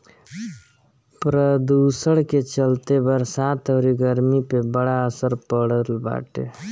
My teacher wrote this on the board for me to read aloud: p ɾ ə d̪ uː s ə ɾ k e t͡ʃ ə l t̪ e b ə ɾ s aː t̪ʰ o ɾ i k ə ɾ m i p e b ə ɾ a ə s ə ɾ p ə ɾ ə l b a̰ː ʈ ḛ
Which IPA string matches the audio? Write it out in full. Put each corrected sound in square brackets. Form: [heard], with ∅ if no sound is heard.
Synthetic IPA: p ɾ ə d̪ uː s ə [ɽ] k e t͡ʃ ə l t̪ e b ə ɾ s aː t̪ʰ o ɾ i [ɡ] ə ɾ m i p e b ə [ɽ] a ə s ə ɾ p ə [ɽ] ə l b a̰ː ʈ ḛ